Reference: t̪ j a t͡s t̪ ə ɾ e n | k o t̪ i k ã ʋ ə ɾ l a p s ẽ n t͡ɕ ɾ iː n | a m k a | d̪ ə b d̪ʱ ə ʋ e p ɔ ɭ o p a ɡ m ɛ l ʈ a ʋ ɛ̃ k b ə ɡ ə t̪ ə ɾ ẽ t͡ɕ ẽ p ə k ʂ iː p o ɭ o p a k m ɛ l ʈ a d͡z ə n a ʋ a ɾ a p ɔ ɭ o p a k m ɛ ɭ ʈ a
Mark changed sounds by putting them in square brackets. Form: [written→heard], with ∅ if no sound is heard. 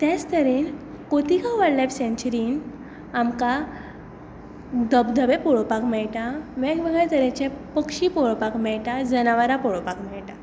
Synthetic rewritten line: t̪ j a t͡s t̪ ə ɾ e n | k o t̪ i k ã ʋ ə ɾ l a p s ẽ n t͡ɕ ɾ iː n | a m k a | d̪ ə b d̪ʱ ə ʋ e p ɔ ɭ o p a [ɡ→k] m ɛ [l→ɭ] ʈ a ʋ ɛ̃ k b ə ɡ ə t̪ ə ɾ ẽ t͡ɕ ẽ p ə k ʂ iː p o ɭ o p a k m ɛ [l→ɭ] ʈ a d͡z ə n a ʋ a ɾ a p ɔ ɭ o p a k m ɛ ɭ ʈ a